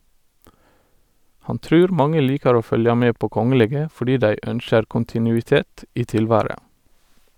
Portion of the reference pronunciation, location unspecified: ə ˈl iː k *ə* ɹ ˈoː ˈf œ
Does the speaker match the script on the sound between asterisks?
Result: no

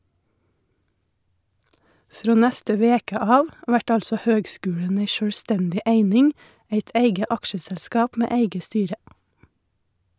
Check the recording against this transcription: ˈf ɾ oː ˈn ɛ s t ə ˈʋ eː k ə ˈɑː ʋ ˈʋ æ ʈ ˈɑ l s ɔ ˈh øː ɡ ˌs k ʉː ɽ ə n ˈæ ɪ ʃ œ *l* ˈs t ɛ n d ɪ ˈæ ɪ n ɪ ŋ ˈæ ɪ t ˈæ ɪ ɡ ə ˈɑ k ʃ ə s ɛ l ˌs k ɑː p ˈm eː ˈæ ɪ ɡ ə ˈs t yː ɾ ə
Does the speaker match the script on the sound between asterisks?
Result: no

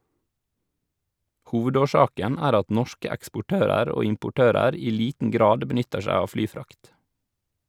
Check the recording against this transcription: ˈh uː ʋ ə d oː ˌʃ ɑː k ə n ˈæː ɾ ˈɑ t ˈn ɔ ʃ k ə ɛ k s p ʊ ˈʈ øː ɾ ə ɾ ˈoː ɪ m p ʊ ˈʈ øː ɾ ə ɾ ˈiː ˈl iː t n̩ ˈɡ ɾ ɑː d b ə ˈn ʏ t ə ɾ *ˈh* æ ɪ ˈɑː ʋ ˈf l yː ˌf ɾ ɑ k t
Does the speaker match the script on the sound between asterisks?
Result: no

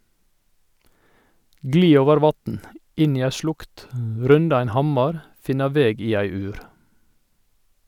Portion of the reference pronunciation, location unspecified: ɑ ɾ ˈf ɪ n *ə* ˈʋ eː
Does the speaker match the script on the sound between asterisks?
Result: no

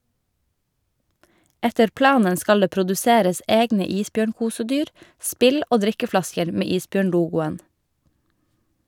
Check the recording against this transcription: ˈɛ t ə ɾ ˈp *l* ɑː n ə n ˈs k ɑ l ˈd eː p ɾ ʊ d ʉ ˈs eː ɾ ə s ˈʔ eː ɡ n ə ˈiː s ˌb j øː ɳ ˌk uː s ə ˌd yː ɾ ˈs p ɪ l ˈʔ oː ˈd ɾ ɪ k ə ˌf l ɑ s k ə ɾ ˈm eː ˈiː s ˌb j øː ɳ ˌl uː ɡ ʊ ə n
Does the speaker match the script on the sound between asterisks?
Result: yes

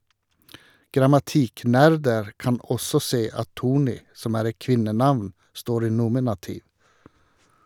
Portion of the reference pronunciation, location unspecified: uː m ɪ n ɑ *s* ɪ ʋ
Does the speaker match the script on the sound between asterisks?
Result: no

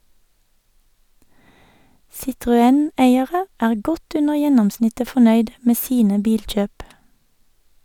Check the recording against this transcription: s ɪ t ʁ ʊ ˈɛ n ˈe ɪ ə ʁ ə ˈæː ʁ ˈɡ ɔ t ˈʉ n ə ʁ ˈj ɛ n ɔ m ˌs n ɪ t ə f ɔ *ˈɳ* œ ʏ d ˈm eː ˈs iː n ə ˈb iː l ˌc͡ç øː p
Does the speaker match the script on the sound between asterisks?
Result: no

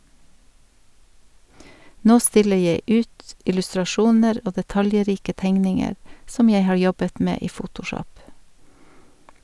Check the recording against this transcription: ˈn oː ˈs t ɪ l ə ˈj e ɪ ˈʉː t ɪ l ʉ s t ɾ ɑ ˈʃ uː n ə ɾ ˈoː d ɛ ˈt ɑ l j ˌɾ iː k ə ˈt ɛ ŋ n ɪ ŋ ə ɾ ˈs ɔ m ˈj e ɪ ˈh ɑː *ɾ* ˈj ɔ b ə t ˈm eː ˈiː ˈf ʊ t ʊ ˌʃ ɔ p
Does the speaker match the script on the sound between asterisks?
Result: no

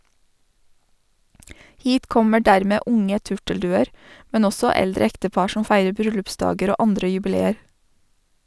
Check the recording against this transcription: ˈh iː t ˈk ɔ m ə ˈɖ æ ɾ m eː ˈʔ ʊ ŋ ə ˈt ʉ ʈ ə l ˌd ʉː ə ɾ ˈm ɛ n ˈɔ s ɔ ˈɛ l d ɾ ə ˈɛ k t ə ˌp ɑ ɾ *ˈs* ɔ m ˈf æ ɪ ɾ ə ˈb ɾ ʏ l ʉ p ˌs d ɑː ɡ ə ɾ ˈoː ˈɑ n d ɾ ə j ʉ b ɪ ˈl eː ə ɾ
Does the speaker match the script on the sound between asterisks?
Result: no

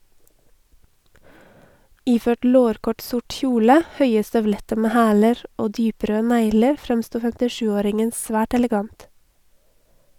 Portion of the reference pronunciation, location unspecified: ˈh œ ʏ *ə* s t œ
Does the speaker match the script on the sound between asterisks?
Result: yes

